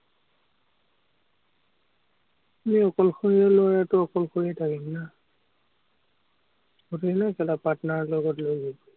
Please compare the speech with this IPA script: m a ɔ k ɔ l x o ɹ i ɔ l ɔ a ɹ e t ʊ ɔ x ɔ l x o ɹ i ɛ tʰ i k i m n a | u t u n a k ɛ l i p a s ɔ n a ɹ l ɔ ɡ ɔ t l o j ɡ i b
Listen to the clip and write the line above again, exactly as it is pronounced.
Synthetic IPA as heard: m i ɔ k ɔ l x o ɹ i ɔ l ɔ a ɹ a t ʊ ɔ k ɔ l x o ɹ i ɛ tʰ a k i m n a | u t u n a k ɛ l a p a t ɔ n a ɹ l ɔ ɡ ɔ t l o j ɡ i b